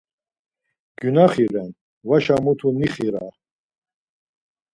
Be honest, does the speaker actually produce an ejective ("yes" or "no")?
no